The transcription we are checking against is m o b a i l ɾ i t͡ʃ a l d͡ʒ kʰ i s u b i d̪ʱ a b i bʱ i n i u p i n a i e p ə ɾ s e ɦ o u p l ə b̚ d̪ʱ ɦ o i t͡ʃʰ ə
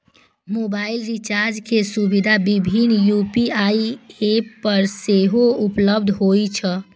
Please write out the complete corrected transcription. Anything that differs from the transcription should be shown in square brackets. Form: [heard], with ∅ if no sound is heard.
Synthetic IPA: m o b a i l ɾ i t͡ʃ a [ɾ] d͡ʒ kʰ [e] s u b i d̪ʱ a b i bʱ i n [j] u p i [∅] a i e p ə ɾ s e ɦ o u p l ə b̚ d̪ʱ ɦ o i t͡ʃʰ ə